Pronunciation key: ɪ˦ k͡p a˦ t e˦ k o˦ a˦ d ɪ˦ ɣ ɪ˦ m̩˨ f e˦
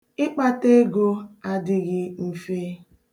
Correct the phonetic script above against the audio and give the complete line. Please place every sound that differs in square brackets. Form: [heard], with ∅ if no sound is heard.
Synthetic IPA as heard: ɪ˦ k͡p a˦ t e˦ [ɡ] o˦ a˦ d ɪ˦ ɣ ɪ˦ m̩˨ f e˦